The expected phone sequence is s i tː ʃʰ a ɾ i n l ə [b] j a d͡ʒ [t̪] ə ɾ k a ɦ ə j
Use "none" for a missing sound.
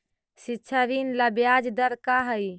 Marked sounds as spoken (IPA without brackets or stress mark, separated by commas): b, d̪